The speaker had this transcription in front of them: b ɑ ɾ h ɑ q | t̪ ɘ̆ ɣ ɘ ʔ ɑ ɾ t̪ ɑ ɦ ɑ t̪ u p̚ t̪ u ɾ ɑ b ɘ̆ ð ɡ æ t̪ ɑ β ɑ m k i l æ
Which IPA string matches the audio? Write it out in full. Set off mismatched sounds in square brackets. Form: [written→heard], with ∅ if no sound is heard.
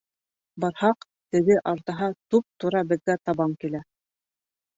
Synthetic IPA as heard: b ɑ ɾ h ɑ q | t̪ ɘ̆ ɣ ɘ ʔ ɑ ɾ t̪ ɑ ɦ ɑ t̪ u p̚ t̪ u ɾ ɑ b ɘ̆ ð ɡ æ t̪ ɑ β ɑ m k i l æ